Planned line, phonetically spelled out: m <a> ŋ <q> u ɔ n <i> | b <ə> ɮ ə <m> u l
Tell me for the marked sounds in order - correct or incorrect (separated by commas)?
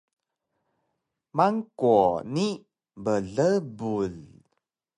correct, incorrect, correct, correct, incorrect